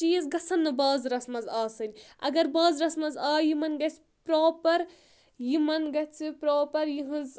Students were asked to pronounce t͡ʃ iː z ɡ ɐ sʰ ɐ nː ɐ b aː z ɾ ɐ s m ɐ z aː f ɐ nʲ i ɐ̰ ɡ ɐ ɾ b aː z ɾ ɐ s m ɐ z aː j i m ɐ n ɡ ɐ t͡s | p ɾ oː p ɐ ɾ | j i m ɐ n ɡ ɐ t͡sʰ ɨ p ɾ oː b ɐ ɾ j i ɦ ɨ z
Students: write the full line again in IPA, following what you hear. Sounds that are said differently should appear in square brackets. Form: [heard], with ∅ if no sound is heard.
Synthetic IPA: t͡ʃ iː z ɡ ɐ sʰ ɐ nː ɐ b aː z ɾ ɐ s m ɐ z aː [s] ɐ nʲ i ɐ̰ ɡ ɐ ɾ b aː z ɾ ɐ s m ɐ z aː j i m ɐ n ɡ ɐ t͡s | p ɾ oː p ɐ ɾ | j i m ɐ n ɡ ɐ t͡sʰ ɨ p ɾ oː [p] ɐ ɾ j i ɦ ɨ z